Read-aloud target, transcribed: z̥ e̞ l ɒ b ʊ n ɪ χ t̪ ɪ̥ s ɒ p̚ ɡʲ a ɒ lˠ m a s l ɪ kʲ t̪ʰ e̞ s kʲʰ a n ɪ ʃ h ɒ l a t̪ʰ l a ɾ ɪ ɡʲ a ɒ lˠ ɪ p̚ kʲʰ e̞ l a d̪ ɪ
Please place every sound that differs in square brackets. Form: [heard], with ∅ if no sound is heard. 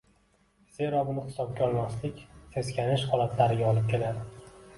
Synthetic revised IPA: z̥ e̞ [ɾ] ɒ b ʊ n ɪ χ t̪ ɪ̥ s ɒ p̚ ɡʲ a ɒ lˠ m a s l ɪ kʲ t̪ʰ e̞ s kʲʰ a n ɪ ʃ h ɒ l a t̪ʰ l a ɾ ɪ ɡʲ a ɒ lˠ ɪ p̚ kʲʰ e̞ l a d̪ ɪ